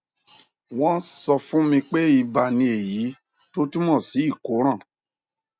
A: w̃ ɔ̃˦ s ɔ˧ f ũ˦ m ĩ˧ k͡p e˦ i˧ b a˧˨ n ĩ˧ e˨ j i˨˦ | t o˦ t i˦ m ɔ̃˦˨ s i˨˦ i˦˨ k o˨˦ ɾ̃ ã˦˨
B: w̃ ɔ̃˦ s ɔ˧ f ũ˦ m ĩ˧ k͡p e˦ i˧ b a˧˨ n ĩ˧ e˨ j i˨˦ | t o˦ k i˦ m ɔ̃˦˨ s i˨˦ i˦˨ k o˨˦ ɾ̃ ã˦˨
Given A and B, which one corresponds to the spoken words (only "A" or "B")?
A